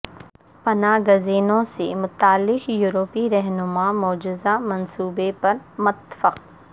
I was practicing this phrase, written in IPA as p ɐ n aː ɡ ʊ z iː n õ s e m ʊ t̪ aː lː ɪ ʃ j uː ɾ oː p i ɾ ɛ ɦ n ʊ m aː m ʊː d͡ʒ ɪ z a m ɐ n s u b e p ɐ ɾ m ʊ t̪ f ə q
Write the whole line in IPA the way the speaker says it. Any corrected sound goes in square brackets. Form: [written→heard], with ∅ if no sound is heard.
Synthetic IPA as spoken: p ɐ n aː ɡ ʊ z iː n õ s e m ʊ t̪ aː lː ɪ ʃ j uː ɾ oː p i ɾ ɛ ɦ n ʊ m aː m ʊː d͡ʒ ɪ z a m ɐ n s [u→uː] b e p ɐ ɾ m ʊ t̪ f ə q